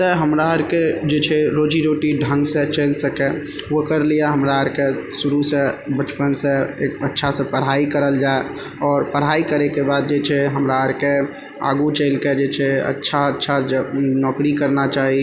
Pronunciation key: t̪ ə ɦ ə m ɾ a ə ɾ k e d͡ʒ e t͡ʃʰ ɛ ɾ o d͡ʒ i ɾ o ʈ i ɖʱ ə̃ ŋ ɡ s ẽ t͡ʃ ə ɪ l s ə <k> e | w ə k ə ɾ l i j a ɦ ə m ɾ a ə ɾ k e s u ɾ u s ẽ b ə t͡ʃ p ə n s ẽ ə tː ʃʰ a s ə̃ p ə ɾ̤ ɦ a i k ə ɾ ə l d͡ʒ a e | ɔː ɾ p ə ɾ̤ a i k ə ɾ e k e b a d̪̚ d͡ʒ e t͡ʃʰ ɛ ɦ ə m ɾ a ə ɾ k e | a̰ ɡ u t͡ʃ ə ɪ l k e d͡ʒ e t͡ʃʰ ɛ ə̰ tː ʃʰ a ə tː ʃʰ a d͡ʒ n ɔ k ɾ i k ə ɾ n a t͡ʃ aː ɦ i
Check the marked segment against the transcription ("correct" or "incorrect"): correct